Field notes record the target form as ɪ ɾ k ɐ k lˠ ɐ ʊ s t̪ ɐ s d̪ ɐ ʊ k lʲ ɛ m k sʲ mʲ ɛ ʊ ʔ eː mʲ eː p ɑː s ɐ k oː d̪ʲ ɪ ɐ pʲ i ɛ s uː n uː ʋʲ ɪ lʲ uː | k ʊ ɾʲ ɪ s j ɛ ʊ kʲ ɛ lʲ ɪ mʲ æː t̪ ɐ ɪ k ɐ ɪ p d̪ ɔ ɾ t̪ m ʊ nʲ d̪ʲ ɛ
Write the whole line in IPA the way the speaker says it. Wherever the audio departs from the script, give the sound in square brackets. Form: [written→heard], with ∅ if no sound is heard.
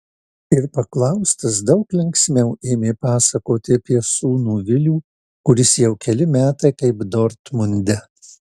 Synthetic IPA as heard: ɪ ɾ [k→p] ɐ k lˠ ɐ ʊ s t̪ ɐ s d̪ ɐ ʊ k lʲ ɛ [m→ŋ] k sʲ mʲ ɛ ʊ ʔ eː mʲ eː p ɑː s ɐ k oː [d̪ʲ→t̪ʲ] ɪ ɐ pʲ i ɛ s uː n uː ʋʲ ɪ lʲ uː | k ʊ ɾʲ ɪ s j ɛ ʊ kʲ ɛ lʲ ɪ mʲ æː t̪ ɐ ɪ k ɐ ɪ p d̪ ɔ ɾ t̪ m ʊ nʲ d̪ʲ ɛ